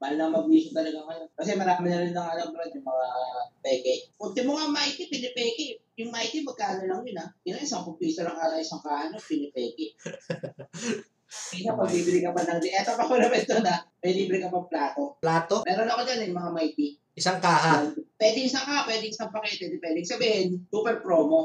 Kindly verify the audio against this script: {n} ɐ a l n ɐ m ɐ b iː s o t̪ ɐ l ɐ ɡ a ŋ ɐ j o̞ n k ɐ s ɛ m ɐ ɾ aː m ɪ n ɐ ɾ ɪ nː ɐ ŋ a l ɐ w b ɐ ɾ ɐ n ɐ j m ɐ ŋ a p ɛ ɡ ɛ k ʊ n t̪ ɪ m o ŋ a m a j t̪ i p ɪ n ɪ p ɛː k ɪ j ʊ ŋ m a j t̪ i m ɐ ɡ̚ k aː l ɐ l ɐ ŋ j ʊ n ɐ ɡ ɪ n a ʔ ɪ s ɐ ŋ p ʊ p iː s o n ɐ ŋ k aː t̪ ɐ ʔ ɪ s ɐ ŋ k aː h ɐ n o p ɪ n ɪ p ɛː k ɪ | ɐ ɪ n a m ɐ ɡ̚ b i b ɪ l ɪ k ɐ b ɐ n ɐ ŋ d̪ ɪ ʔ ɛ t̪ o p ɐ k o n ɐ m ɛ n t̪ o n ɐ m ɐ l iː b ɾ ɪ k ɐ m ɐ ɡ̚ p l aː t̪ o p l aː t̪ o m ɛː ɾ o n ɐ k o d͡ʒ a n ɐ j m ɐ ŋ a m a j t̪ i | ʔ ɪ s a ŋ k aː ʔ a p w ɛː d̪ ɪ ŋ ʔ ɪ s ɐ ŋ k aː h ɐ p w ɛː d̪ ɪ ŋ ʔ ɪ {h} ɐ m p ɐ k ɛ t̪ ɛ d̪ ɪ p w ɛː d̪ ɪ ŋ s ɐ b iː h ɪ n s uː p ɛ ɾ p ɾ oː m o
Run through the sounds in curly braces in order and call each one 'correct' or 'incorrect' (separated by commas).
incorrect, incorrect